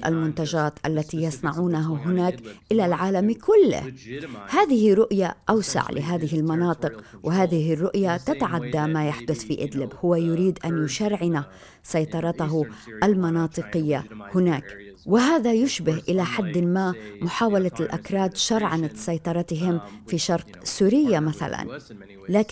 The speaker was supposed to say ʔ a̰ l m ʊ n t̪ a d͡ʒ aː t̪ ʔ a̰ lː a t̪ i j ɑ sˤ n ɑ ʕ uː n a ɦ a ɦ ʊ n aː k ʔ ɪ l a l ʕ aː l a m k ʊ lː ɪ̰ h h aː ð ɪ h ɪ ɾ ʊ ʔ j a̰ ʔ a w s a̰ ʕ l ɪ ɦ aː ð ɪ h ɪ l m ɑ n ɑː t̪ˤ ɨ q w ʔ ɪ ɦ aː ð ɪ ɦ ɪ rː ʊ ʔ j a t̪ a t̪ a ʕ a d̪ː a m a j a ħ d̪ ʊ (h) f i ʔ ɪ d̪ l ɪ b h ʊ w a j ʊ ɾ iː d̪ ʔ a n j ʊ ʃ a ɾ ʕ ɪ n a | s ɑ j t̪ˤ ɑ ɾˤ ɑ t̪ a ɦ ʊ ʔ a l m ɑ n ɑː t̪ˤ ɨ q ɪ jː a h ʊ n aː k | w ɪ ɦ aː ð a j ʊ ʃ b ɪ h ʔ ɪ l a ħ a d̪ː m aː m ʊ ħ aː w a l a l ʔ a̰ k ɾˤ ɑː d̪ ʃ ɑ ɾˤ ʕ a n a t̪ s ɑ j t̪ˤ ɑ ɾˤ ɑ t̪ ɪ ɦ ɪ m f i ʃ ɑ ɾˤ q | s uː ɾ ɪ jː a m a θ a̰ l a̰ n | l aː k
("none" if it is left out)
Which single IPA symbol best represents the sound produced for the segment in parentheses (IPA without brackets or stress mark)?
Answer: θ